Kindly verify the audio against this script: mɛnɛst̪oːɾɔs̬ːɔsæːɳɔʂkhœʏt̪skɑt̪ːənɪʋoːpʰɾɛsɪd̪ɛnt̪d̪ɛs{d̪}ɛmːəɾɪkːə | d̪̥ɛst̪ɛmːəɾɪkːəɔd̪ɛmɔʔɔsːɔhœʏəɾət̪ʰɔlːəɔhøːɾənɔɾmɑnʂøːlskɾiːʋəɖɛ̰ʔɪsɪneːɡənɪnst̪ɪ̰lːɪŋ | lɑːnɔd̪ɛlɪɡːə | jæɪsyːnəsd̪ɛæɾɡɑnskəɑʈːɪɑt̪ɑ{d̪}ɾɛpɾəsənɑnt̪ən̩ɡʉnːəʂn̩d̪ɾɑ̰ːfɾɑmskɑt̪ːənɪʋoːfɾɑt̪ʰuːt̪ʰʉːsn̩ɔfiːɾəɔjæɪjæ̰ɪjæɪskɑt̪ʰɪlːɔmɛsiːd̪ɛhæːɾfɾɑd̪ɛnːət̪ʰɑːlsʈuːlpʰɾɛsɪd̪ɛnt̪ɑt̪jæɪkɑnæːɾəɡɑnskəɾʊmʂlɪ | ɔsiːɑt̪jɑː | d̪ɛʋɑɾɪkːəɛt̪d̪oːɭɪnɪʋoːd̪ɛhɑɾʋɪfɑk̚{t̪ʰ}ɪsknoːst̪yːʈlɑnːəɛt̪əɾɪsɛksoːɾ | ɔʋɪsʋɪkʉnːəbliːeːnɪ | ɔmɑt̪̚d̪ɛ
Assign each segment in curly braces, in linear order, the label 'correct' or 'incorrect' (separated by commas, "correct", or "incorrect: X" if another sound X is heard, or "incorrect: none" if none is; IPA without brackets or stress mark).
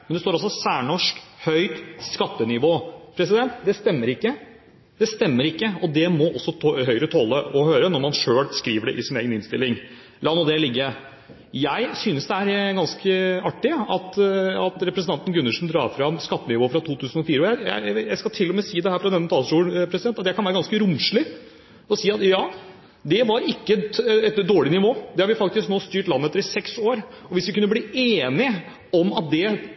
incorrect: t̪, incorrect: t̪, incorrect: t̪